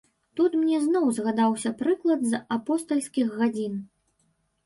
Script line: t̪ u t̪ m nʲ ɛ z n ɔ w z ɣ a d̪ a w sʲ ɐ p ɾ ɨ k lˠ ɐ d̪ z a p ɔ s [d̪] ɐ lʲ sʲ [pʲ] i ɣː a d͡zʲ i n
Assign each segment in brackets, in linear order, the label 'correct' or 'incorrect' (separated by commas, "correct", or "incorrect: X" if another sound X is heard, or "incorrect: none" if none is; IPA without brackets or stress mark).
incorrect: t̪, incorrect: kʲ